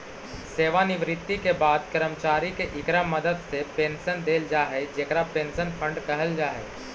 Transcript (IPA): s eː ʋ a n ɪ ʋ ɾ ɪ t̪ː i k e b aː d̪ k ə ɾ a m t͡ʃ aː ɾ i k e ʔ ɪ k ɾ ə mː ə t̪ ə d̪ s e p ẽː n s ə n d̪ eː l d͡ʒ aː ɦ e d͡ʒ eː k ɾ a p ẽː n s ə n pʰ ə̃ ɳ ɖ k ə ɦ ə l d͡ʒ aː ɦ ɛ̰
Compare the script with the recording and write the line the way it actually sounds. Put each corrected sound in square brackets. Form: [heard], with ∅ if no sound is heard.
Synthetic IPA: s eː ʋ a n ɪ ʋ ɾ ɪ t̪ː i k e b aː d̪ k ə ɾ [ə] m t͡ʃ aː ɾ i k e ʔ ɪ k ɾ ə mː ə [d̪] ə d̪ s e p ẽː n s ə n d̪ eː l d͡ʒ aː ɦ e d͡ʒ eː k ɾ a p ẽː n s ə n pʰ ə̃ ɳ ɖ k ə ɦ ə l d͡ʒ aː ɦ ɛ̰

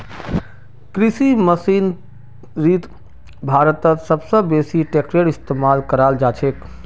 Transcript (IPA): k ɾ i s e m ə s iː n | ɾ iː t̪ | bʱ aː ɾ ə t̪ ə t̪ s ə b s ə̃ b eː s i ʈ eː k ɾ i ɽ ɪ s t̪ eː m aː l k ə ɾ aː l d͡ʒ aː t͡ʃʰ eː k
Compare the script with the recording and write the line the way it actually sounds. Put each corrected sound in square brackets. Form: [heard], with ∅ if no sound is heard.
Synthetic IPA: k ɾ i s [i] m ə s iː n | ɾ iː t̪ | bʱ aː ɾ ə t̪ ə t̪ s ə b s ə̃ b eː s i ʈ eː k ɾ [e] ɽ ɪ s t̪ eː m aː l k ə ɾ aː l d͡ʒ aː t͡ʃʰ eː k

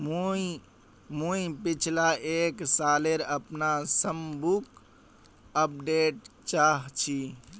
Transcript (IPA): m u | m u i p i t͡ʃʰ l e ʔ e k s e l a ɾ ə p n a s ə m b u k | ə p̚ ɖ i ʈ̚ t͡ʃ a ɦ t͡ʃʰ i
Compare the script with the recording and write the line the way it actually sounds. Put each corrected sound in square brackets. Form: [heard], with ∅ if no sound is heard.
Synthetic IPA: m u | m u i p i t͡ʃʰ l [a] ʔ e k s [a] l [e] ɾ ə p n a s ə m b u k | ə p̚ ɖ [e] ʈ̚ t͡ʃ a ɦ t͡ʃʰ i

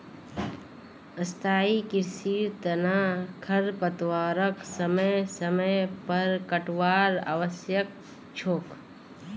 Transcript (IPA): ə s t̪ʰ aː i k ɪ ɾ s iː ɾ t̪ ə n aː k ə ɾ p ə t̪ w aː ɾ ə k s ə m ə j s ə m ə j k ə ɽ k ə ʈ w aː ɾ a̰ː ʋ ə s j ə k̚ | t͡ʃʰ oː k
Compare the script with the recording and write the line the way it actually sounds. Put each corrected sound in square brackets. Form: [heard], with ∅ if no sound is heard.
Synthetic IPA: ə s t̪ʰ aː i k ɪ ɾ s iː ɾ t̪ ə n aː [kʰ] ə ɾ p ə t̪ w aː ɾ ə k s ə m ə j s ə m ə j [p] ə [ɾ] k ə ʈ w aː ɾ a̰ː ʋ ə s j ə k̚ | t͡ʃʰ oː k

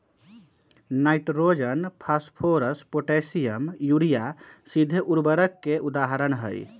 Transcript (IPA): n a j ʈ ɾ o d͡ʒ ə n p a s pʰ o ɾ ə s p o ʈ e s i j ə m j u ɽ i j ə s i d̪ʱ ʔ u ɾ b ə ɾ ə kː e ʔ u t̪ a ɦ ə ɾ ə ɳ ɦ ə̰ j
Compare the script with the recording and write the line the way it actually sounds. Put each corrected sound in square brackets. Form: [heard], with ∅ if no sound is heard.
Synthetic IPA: n a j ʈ ɾ o d͡ʒ ə n [pʰ] a s pʰ o ɾ ə s p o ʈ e s i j ə m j u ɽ i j [a] s i d̪ʱ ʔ u ɾ b ə ɾ ə kː e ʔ u [d̪] a ɦ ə ɾ ə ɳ ɦ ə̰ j

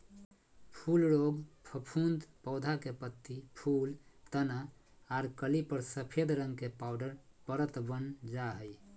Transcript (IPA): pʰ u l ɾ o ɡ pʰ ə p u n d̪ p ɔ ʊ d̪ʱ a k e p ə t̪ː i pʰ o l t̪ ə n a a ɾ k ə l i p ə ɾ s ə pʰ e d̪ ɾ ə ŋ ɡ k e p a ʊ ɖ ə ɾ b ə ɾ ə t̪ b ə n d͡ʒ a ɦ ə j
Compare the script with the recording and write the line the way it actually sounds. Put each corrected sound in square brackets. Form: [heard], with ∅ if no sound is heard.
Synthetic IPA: pʰ u l ɾ o ɡ pʰ ə [pʰ] u n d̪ p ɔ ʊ d̪ʱ a k e p ə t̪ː i pʰ [u] l t̪ ə n a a ɾ k ə l i p ə ɾ s ə pʰ e d̪ ɾ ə ŋ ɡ k e p a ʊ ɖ ə ɾ [p] ə ɾ ə t̪ b ə n d͡ʒ a ɦ ə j

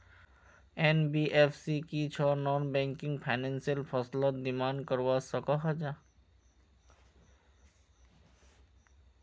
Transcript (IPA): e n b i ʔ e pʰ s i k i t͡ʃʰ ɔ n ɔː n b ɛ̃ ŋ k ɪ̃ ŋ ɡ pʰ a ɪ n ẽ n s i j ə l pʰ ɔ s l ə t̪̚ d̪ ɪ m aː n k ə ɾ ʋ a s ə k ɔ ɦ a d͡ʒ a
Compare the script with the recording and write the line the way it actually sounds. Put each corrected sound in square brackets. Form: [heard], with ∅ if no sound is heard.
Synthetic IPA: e n b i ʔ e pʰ s i k i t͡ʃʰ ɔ n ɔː n b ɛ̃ ŋ k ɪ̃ ŋ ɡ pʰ a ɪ n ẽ n s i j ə l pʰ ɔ s l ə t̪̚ d̪ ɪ m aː n k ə ɾ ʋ a s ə k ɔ ɦ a d͡ʒ a

